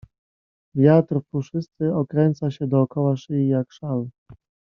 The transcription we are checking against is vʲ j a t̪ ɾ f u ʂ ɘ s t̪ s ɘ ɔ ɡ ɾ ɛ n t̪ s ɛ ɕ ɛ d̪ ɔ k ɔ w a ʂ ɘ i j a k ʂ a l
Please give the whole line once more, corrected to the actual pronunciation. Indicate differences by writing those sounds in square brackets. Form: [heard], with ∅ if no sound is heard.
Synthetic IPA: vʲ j a t̪ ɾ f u ʂ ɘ s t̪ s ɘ ɔ [k] ɾ ɛ n t̪ s [a] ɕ ɛ d̪ [ɔː] k ɔ w a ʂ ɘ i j a k ʂ a l